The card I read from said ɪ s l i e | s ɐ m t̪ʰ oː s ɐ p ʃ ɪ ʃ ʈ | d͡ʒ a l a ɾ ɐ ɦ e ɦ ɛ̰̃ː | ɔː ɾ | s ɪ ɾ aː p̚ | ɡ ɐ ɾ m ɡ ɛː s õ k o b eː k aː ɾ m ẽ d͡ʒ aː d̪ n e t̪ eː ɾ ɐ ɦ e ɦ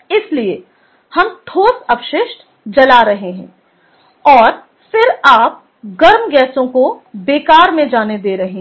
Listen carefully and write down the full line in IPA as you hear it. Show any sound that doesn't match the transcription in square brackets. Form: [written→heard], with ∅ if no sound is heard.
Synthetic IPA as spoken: ɪ s l i e | [s→h] ɐ m t̪ʰ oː s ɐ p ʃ ɪ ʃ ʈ | d͡ʒ [a→ɐ] l a ɾ ɐ ɦ e ɦ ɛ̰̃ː | ɔː ɾ | [s→f] ɪ ɾ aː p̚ | ɡ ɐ ɾ m ɡ ɛː s õ k o b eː k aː ɾ m ẽ d͡ʒ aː [d̪→∅] n e [t̪→d̪] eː ɾ ɐ ɦ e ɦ